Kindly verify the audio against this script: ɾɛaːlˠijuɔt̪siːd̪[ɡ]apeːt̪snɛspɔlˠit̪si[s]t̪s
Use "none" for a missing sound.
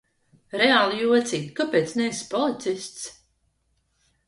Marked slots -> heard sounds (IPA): k, s

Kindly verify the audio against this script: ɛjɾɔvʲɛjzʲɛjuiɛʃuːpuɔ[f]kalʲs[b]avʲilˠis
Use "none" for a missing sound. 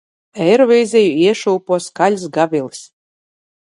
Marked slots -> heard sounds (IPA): s, ɡ

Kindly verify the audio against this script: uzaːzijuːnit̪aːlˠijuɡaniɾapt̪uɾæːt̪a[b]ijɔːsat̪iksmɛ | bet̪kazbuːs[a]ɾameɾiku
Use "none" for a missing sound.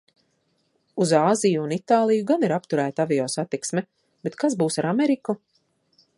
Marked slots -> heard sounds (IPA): v, a

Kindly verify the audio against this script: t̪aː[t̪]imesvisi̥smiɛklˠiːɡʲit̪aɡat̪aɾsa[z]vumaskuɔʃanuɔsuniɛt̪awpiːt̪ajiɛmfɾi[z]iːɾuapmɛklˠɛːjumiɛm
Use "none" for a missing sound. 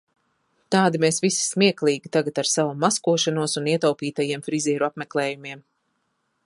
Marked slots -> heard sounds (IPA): d̪, none, z

